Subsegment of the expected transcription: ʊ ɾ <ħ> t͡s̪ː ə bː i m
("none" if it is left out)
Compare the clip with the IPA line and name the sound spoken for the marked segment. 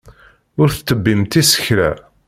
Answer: θ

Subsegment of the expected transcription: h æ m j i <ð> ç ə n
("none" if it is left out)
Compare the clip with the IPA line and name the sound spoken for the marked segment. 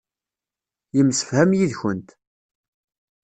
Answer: ð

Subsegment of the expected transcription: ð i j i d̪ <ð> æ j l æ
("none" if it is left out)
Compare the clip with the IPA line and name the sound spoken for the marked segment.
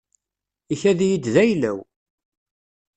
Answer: ð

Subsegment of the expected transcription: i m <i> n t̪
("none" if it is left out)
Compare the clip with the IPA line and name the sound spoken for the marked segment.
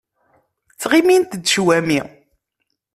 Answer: i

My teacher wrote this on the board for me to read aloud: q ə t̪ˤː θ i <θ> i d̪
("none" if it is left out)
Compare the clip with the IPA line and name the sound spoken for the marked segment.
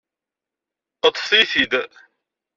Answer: θ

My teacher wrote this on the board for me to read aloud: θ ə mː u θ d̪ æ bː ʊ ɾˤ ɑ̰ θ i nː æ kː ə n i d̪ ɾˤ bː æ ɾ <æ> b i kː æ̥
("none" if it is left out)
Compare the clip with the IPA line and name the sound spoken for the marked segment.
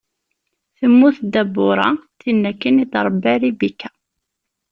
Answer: i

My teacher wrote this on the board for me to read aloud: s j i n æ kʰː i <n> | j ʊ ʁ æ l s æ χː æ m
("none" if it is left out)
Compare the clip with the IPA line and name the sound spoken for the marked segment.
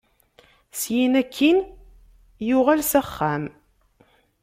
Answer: n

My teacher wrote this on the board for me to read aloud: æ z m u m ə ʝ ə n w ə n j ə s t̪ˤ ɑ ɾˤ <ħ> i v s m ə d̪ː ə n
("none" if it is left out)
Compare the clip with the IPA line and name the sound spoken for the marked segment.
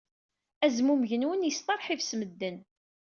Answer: ħ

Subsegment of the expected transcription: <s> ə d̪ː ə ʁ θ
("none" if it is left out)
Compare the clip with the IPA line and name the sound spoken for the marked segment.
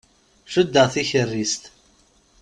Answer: ʃ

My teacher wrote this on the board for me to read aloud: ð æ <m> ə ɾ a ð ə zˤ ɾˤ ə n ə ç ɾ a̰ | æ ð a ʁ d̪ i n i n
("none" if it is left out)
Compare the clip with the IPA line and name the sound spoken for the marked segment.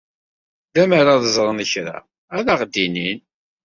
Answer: m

